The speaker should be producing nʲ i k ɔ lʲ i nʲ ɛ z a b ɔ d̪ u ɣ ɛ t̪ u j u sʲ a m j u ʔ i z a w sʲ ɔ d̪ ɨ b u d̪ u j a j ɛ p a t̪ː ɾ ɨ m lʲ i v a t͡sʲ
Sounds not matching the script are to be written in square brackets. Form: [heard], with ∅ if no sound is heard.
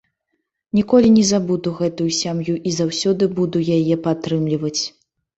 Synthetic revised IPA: nʲ i k ɔ lʲ i nʲ ɛ z a b [u] d̪ u ɣ ɛ t̪ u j u sʲ a m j u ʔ i z a w sʲ ɔ d̪ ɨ b u d̪ u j a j ɛ p a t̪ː ɾ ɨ m lʲ i v [ɐ] t͡sʲ